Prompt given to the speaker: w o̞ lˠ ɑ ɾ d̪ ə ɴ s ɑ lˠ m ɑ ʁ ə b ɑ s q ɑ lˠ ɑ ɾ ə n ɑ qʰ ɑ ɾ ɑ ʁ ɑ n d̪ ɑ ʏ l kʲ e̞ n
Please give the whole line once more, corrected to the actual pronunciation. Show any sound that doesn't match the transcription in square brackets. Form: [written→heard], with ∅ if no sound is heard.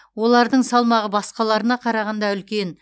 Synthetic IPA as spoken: w o̞ lˠ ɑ ɾ d̪ ə ɴ s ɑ lˠ m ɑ ʁ ə b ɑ s q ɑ lˠ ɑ ɾ ə n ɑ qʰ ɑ ɾ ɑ ʁ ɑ n d̪ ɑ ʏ l kʲ e̞ n